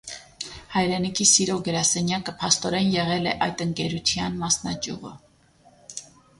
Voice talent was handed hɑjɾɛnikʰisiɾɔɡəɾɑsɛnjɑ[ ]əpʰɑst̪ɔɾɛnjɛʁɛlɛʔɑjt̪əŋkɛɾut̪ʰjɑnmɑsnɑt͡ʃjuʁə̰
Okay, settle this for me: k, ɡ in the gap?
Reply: k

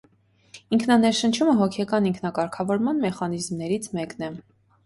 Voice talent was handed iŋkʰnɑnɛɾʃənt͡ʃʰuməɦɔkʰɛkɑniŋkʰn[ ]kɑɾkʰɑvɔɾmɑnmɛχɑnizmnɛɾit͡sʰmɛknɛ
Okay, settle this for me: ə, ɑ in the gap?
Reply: ɑ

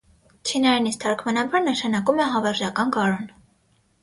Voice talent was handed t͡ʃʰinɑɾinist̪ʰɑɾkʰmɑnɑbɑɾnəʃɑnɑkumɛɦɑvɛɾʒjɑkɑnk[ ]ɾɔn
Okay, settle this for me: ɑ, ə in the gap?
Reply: ɑ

